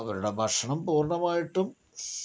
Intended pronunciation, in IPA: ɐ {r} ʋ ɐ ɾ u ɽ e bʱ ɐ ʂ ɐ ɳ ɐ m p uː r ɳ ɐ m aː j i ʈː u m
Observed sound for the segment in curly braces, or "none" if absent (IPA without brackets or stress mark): none